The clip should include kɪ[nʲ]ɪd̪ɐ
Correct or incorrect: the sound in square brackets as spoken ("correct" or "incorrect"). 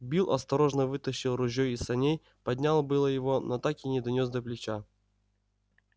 correct